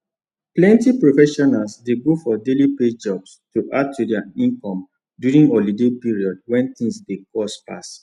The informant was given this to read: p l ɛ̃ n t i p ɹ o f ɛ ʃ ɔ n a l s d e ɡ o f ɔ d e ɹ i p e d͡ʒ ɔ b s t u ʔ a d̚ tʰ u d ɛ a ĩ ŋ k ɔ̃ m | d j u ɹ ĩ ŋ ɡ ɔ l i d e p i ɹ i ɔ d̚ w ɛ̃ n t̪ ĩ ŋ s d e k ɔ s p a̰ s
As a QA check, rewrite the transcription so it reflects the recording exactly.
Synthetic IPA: p l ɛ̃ n t i p ɹ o f ɛ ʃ ɔ n a l s d e ɡ o f ɔ d e l i p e d͡ʒ ɔ b s t u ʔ a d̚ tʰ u d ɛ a ĩ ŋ k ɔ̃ m | d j u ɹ ĩ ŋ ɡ ɔ l i d e p i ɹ i ɔ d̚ w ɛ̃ n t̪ ĩ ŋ s d e k ɔ s p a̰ s